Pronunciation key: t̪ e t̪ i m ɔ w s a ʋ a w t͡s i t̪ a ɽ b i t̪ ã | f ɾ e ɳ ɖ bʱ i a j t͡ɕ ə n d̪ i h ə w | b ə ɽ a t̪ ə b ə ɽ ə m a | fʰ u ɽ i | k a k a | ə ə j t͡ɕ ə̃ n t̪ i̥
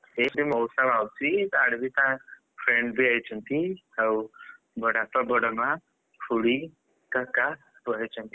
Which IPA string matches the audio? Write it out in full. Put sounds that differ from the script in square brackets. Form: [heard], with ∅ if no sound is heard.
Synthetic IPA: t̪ e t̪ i m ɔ w s a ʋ a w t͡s i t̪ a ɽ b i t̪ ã | f ɾ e ɳ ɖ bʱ i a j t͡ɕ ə n [t̪] i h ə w | b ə ɽ a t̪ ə b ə ɽ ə m a | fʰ u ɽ i | k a k a | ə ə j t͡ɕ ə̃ n t̪ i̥